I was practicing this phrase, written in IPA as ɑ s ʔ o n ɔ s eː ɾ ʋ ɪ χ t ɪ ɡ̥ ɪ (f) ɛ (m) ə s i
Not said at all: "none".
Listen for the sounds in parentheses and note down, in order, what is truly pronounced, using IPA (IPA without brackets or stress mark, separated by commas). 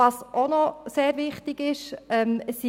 ʃ, m